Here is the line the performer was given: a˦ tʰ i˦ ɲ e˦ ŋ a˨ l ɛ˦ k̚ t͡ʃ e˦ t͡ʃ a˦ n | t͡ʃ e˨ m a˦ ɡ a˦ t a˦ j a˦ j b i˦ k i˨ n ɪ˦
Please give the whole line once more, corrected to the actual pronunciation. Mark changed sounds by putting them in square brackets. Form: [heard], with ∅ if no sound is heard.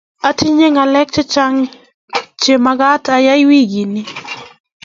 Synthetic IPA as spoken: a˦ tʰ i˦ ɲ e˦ ŋ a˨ l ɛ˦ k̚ t͡ʃ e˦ t͡ʃ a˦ [ŋ] | t͡ʃ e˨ m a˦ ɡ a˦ t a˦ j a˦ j [w] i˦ [ɡ] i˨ n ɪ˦